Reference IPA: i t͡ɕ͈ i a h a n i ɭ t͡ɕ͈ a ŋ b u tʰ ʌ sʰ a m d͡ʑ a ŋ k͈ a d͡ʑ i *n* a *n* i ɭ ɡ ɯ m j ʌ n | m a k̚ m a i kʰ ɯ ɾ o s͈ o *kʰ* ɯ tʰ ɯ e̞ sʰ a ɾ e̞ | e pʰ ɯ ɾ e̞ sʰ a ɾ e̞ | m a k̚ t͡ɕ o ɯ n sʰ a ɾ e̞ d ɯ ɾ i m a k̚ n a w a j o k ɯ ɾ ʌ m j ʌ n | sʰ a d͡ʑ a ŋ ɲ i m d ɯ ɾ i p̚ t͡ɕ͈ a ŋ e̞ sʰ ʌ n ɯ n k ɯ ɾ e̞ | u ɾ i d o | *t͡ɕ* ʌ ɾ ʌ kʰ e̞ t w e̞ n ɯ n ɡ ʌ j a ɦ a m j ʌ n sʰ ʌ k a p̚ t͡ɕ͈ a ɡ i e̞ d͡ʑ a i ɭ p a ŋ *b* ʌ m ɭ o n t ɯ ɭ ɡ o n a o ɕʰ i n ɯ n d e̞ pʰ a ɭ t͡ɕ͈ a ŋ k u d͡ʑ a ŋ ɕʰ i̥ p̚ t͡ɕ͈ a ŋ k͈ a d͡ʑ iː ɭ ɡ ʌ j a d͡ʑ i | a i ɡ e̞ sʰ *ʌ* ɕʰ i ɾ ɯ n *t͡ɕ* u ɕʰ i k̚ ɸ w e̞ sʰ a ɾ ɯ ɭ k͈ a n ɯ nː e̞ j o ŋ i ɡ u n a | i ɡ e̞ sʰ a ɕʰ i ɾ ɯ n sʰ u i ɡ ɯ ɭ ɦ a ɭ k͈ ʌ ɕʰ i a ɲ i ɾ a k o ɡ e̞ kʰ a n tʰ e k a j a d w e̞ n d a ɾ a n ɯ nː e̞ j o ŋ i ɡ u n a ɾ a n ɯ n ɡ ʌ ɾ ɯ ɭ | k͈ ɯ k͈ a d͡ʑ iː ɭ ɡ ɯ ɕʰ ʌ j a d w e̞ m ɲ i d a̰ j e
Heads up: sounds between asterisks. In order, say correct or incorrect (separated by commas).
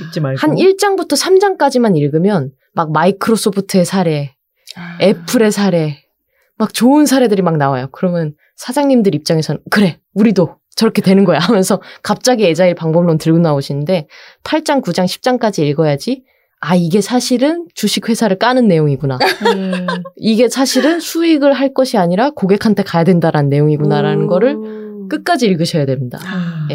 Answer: incorrect, correct, incorrect, correct, correct, incorrect, correct